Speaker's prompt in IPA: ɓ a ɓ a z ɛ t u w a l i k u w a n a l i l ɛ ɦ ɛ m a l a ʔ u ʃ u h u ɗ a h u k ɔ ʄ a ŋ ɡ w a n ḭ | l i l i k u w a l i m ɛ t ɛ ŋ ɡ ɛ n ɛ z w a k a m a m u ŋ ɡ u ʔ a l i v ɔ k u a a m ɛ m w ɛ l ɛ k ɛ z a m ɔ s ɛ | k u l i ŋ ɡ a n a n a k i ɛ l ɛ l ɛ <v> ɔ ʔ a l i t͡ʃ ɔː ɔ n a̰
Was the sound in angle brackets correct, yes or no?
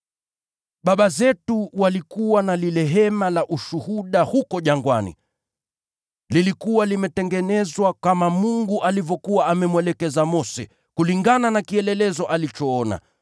no